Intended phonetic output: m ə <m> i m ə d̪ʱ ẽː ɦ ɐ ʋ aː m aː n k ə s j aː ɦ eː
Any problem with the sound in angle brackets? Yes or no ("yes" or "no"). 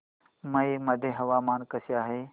yes